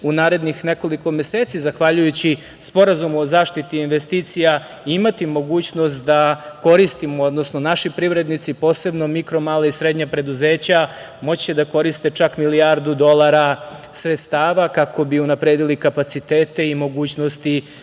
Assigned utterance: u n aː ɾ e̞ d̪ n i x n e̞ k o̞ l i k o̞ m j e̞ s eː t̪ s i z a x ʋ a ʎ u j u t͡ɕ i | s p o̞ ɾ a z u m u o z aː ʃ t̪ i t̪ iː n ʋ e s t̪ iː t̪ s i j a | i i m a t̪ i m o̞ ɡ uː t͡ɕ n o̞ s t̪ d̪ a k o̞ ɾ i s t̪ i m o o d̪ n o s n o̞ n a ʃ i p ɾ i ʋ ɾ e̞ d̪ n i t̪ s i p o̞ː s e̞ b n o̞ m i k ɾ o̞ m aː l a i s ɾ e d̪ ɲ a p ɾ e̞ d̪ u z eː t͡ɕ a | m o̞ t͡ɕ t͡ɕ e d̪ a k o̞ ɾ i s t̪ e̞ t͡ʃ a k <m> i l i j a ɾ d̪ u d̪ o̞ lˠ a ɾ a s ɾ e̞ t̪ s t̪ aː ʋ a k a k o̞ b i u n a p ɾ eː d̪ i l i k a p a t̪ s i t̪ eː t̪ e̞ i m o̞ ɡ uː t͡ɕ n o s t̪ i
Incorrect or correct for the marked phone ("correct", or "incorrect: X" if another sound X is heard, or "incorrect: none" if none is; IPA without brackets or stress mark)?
correct